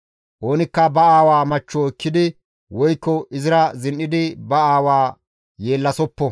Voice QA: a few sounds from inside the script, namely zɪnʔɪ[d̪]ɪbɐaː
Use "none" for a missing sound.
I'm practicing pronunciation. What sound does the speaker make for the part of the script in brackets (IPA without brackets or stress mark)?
d̪